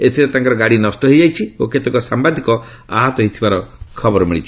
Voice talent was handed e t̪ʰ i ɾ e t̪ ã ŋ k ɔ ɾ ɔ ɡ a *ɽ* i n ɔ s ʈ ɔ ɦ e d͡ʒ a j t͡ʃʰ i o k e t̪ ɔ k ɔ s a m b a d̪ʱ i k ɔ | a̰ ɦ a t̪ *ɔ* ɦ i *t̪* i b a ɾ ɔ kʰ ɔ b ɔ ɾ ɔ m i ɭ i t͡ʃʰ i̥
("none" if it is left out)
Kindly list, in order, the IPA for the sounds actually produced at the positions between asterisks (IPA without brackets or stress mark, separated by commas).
ɽ, ɔ, t̪ʰ